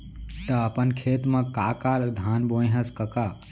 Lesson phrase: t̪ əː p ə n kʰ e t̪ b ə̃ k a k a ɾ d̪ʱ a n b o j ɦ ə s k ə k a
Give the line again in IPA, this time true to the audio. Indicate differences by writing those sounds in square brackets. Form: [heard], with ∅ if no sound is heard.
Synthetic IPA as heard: t̪ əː p ə n kʰ e t̪ [m] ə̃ k a k a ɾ d̪ʱ a n b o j ɦ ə s k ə k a